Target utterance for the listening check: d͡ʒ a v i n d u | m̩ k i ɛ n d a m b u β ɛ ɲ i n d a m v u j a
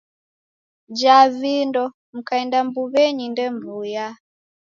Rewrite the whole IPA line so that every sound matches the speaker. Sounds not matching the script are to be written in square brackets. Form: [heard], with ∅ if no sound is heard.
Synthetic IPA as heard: d͡ʒ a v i n d [ɔ] | m̩ k [a] ɛ n d a m b u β ɛ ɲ i n d [ɛ] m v u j a